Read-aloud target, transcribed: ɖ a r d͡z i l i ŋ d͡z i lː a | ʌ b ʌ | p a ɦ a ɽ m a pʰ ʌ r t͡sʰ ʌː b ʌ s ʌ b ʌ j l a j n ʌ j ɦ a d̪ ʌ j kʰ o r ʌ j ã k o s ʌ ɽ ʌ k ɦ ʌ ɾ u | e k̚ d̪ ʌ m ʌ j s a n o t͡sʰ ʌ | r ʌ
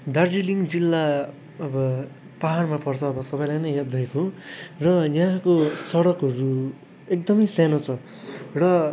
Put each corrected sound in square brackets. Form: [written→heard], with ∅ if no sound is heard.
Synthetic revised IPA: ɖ a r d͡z i l i ŋ d͡z i lː a | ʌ b ʌ | p a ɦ a [ɽ→r] m a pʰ ʌ r t͡sʰ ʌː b ʌ s ʌ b ʌ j l a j n ʌ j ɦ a d̪ ʌ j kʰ o r ʌ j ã k o s ʌ ɽ ʌ k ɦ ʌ ɾ u | e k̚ d̪ ʌ m ʌ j s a n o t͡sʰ ʌ | r ʌ